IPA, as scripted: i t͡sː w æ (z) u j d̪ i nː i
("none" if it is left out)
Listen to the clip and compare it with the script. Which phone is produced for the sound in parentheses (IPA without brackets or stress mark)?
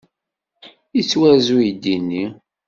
z